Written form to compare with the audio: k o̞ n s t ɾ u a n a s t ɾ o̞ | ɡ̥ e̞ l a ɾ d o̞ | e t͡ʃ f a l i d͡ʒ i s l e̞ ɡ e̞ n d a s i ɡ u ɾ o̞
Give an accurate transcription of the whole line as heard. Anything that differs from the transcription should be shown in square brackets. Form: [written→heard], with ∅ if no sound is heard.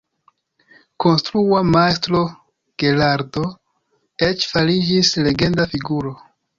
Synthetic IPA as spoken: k o̞ n s t ɾ u a [n→m] a s t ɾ o̞ | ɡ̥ e̞ l a ɾ d o̞ | e t͡ʃ f a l i d͡ʒ i s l e̞ ɡ e̞ n d a [s→f] i ɡ u ɾ o̞